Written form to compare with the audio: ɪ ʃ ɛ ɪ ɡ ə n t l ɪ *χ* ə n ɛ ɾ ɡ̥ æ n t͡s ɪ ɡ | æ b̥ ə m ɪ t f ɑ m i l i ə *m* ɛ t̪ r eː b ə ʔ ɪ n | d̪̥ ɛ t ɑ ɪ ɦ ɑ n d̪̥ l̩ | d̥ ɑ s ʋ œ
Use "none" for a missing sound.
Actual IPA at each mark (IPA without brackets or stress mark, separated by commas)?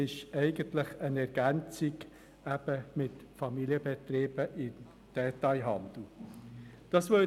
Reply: χ, b